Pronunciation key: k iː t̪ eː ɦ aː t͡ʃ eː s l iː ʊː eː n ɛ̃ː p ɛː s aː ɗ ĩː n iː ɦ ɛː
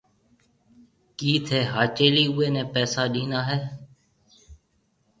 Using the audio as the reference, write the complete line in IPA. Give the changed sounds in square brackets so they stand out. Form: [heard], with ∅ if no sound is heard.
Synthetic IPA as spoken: k iː [t̪ʰ] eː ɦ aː t͡ʃ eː [∅] l iː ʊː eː n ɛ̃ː p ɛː s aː ɗ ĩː n [aː] ɦ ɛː